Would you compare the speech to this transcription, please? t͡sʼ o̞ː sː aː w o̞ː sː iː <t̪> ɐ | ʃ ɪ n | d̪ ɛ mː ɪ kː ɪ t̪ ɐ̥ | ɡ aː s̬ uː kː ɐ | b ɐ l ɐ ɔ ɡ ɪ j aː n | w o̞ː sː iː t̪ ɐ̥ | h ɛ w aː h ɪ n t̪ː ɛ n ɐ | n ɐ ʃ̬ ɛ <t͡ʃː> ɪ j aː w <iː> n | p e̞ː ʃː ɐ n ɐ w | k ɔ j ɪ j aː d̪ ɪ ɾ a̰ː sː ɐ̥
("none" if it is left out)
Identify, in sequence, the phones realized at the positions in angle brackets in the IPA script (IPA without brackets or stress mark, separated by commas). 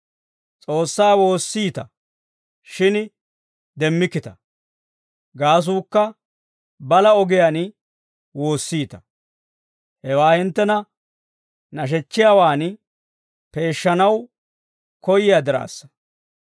t̪, t͡ʃː, aː